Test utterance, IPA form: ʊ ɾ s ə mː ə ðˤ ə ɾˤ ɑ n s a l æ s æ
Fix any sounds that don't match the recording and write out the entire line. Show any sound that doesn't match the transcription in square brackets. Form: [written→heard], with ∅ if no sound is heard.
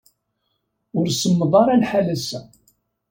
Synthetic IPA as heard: ʊ ɾ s ə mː ə ðˤ [ə→ɑ] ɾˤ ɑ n [s→ħ] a l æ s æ